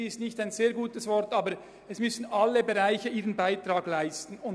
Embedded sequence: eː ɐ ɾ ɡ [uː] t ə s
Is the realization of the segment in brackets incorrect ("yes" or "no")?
no